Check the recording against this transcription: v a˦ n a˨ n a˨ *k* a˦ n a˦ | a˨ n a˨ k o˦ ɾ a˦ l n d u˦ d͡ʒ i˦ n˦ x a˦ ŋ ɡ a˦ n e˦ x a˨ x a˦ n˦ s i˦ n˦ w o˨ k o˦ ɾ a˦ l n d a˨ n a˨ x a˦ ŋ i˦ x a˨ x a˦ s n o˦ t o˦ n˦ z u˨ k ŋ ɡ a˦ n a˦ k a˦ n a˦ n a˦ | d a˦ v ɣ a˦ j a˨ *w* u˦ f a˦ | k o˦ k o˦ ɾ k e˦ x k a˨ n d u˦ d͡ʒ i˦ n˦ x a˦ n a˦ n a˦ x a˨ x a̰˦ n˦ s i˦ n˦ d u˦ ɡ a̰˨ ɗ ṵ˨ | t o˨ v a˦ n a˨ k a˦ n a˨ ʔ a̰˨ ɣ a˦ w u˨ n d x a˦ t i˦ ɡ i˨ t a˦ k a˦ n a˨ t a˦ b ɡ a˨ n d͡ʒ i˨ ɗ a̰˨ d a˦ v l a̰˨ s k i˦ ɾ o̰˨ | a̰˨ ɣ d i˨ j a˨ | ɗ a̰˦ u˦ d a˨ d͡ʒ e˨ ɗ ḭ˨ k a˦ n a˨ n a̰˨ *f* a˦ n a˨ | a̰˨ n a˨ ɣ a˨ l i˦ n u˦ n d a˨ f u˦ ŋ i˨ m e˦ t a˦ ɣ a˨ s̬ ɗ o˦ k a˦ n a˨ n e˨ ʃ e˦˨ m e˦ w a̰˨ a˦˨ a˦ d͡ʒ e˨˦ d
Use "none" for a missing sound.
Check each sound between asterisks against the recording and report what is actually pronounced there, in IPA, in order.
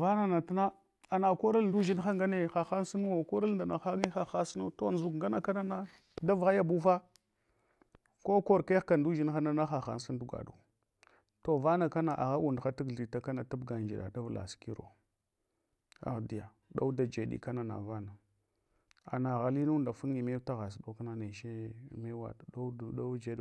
t, b, v

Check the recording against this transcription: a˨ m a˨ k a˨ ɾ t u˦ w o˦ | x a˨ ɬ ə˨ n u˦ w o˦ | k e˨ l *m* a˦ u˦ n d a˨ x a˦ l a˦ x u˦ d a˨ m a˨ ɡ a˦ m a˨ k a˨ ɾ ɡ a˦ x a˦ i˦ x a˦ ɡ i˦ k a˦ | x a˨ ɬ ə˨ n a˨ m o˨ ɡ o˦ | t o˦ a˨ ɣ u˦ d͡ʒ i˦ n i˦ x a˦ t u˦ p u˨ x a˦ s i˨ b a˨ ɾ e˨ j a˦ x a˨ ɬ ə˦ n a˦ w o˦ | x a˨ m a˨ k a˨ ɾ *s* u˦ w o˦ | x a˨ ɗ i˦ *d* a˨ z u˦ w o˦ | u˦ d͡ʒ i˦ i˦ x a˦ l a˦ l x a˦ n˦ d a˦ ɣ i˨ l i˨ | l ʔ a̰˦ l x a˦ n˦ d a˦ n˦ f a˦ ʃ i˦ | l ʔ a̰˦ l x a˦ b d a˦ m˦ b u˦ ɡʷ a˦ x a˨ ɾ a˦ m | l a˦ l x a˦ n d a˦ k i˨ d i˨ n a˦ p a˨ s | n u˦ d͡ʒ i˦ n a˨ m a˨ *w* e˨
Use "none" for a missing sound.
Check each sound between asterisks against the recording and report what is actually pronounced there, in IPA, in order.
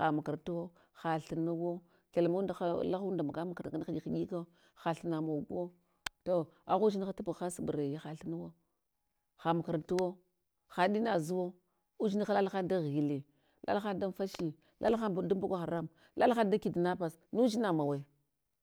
m, t, n, w

